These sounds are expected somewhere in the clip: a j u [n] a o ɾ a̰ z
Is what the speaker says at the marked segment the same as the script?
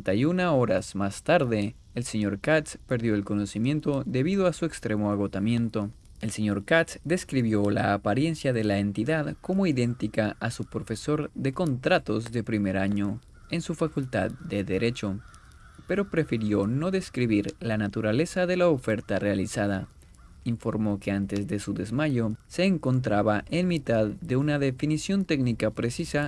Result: yes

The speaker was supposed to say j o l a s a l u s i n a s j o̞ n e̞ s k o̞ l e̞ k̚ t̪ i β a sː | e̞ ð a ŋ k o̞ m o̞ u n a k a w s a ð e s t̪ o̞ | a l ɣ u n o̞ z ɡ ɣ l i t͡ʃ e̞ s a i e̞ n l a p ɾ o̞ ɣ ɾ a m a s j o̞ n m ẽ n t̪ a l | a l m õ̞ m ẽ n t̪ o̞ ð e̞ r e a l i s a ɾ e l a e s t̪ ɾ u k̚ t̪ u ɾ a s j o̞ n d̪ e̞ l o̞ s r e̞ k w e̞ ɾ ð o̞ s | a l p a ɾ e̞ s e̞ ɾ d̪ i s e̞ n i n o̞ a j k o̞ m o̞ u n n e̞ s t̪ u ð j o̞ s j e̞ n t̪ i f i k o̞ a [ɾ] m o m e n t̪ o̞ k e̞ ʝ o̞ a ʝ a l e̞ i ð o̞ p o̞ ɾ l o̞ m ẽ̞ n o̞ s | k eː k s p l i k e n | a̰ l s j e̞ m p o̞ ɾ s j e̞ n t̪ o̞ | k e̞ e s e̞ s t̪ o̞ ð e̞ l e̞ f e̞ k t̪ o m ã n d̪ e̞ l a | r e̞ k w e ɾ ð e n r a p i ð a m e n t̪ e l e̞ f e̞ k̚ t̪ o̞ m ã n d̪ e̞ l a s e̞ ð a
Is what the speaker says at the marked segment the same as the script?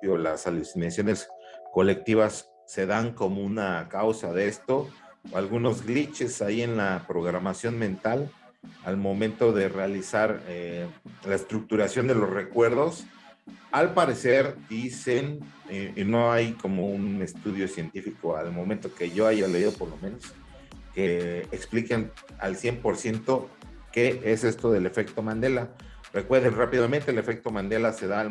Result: no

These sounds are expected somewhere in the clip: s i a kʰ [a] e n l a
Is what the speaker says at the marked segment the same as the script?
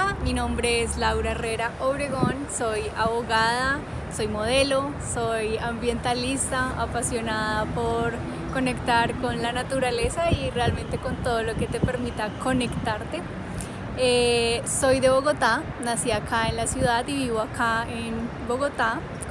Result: yes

